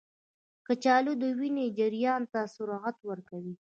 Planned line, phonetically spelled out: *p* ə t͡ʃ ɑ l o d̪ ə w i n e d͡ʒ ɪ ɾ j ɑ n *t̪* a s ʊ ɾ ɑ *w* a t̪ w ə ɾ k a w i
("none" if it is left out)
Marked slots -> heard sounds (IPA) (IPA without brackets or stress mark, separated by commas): k, t̪, ɣ